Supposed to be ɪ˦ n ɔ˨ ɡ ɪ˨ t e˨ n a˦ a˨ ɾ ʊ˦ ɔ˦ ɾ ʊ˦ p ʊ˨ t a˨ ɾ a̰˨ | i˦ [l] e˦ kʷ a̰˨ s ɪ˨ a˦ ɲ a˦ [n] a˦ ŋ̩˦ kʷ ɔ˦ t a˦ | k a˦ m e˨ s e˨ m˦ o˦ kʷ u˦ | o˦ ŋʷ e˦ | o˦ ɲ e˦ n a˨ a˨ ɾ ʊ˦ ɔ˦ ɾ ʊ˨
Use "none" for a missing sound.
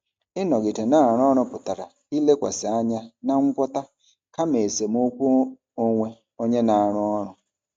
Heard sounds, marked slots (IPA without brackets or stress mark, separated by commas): l, n